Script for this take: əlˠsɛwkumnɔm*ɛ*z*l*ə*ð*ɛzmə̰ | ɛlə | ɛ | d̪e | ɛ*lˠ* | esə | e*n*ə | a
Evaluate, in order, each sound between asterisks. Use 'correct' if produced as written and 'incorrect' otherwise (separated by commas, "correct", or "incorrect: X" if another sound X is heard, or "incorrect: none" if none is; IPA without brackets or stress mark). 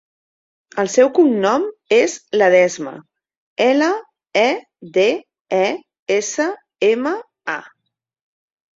incorrect: e, correct, correct, incorrect: none, incorrect: m